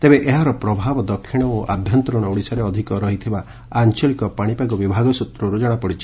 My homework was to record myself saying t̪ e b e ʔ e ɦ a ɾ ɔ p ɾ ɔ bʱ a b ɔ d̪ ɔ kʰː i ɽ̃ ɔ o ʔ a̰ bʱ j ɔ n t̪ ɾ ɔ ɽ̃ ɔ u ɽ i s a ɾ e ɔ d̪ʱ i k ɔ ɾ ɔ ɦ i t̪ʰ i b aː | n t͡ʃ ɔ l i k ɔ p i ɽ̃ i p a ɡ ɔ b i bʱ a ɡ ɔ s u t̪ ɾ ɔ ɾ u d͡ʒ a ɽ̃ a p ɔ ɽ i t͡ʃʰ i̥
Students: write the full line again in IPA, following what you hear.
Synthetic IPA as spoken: t̪ e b e ʔ e ɦ a ɾ ɔ p ɾ ɔ bʱ a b ɔ d̪ ɔ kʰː i ɽ̃ ɔ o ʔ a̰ bʱ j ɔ n t̪ ɾ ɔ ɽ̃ ɔ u ɽ i s a ɾ e ɔ d̪ʱ i k ɔ ɾ ɔ ɦ i t̪ʰ i b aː | n t͡ʃ ɔ l i k ɔ p a ɽ̃ i p a ɡ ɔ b i bʱ a ɡ ɔ s u t̪ ɾ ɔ ɾ u d͡ʒ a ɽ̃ a p ɔ ɽ i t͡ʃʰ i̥